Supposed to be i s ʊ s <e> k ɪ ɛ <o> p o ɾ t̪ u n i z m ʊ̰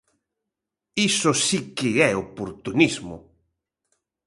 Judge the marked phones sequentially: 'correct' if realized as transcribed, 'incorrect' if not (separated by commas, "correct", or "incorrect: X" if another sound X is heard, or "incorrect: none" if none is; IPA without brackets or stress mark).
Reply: incorrect: i, correct